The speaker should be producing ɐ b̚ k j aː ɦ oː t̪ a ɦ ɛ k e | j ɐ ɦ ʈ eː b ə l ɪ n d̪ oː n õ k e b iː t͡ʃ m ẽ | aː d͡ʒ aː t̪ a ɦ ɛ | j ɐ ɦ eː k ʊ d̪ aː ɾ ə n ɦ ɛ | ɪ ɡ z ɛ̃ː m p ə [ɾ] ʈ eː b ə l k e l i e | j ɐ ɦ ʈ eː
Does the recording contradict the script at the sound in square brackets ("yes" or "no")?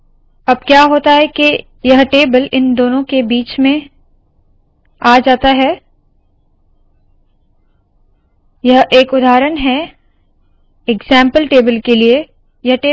yes